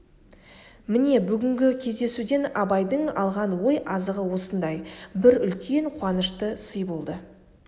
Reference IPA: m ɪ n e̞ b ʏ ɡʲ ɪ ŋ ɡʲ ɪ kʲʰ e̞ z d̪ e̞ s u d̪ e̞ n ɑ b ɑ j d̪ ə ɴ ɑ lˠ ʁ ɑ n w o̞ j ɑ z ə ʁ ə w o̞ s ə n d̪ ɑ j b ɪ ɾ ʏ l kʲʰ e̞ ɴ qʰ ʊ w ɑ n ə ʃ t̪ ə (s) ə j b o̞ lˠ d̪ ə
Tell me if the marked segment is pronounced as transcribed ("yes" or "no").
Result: yes